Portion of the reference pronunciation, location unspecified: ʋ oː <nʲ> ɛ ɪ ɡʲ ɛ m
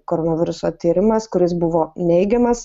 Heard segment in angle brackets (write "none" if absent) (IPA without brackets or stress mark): nʲ